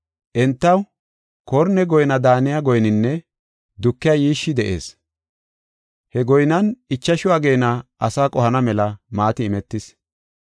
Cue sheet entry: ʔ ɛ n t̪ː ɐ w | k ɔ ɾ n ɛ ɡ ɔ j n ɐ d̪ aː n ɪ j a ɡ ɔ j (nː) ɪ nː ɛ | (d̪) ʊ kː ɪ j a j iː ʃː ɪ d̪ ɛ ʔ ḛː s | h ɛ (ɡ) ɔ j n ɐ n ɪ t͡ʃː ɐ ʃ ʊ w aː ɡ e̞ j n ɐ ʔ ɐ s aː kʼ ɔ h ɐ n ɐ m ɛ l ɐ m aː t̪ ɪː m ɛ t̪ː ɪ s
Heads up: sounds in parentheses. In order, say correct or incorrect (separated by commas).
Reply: incorrect, correct, correct